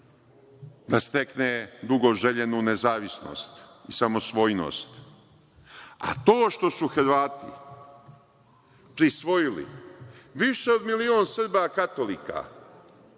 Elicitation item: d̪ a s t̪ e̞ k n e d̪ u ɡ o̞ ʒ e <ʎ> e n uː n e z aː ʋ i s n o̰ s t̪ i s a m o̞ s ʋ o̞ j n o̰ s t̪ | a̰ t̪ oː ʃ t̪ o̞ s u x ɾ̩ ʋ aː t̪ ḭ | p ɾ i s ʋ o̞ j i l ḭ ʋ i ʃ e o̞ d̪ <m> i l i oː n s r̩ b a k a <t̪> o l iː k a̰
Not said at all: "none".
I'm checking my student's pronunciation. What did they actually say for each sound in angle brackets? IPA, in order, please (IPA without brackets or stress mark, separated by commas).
ʎ, m, t̪